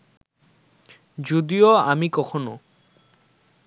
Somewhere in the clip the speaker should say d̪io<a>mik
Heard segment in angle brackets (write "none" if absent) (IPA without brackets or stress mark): a